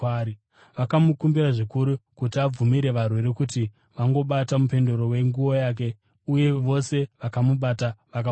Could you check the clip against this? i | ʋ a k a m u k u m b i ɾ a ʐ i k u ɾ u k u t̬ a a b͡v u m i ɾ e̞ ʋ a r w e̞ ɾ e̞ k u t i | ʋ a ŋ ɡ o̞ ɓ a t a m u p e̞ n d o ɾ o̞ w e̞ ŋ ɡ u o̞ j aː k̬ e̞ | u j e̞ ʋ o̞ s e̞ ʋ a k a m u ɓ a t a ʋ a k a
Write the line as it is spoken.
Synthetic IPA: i | ʋ a k a m u k u m b i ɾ a ʐ i k u ɾ u k u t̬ i a b͡v u m i ɾ e̞ ʋ a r w e̞ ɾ e̞ k u t i | ʋ a ŋ ɡ o̞ ɓ a t a m u p e̞ n d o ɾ o̞ w e̞ ŋ ɡ u o̞ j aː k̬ e̞ | u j e̞ ʋ o̞ s e̞ ʋ a k a m u ɓ a t a ʋ a k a